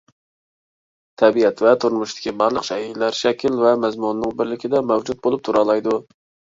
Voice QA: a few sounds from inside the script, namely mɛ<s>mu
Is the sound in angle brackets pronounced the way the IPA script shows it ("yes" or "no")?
no